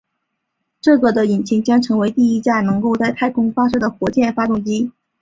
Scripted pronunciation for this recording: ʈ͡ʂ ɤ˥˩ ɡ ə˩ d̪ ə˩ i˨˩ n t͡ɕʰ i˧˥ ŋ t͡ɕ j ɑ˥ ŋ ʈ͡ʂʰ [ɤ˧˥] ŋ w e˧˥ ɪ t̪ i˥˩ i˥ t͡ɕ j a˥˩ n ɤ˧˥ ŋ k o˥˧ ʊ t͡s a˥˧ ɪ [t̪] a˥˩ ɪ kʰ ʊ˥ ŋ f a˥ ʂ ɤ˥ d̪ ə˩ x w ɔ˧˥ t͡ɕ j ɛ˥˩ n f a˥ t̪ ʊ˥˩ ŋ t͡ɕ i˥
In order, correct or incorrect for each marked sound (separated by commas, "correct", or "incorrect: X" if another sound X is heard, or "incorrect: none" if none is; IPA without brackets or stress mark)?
correct, incorrect: t̪ʰ